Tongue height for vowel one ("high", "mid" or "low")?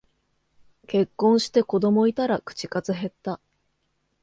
mid